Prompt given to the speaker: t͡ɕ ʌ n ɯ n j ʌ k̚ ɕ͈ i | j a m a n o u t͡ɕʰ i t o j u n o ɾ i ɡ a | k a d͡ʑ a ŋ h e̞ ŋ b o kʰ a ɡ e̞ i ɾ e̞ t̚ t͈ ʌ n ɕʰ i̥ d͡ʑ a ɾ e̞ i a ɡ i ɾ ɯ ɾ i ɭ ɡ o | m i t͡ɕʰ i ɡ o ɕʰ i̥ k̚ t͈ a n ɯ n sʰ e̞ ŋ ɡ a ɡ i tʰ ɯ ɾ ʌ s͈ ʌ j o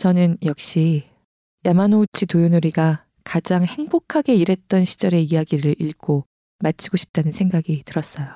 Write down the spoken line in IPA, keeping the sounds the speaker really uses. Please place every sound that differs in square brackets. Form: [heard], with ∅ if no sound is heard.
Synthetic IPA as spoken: t͡ɕ ʌ n ɯ n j ʌ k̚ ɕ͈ i | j a m a n o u t͡ɕʰ i t o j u n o ɾ i ɡ a | k a d͡ʑ a ŋ h e̞ ŋ b o kʰ a ɡ e̞ i ɾ e̞ t̚ t͈ ʌ n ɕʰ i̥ d͡ʑ [ʌ] ɾ e̞ i a ɡ i ɾ ɯ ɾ i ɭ ɡ o | m [a] t͡ɕʰ i ɡ o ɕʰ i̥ [p̚] t͈ a n ɯ n sʰ e̞ ŋ ɡ a ɡ i [t] ɯ ɾ ʌ s͈ ʌ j o